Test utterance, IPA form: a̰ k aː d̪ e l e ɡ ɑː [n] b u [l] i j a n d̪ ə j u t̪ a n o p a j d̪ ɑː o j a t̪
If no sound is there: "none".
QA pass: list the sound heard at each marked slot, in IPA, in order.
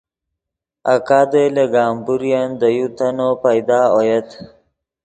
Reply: m, ɾ

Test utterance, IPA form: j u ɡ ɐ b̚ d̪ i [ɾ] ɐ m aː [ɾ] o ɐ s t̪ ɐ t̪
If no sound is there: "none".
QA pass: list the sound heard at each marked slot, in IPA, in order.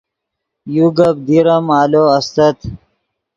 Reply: ɾ, l

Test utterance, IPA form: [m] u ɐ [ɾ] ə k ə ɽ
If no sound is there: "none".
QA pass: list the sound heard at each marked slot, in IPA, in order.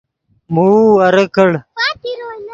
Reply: m, ɾ

